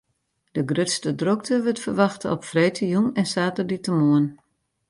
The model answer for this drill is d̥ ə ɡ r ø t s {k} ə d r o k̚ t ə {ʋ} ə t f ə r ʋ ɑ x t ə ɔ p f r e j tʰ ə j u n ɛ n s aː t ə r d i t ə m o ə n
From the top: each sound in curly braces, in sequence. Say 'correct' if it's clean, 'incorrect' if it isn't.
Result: incorrect: t, correct

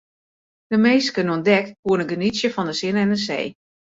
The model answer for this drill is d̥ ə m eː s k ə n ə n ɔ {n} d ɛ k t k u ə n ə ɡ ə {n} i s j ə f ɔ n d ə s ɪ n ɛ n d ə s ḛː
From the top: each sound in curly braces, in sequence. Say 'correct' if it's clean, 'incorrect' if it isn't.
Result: correct, correct

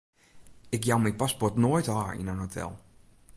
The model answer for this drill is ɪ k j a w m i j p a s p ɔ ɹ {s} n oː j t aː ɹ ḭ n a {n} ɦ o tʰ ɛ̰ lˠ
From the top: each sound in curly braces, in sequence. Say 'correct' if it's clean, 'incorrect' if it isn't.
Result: incorrect: t, correct

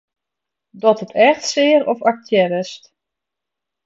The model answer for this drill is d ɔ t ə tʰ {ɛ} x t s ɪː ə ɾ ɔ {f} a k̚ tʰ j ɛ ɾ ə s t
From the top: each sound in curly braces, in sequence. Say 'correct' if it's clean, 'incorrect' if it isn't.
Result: correct, correct

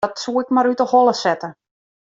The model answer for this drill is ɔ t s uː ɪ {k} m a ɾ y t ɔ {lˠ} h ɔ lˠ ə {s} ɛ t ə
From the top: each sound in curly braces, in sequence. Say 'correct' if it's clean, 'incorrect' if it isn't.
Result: correct, incorrect: none, correct

